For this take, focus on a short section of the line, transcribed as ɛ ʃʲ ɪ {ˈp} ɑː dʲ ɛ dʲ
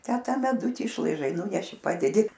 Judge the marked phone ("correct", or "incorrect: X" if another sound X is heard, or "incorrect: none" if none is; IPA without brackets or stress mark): correct